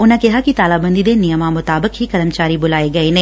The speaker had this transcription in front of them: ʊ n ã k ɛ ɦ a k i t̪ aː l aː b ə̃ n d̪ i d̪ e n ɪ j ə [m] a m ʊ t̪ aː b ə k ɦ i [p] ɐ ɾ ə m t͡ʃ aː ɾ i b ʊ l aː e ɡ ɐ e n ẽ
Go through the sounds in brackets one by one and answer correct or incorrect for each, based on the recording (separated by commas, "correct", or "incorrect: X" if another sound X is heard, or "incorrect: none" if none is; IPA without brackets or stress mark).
correct, incorrect: k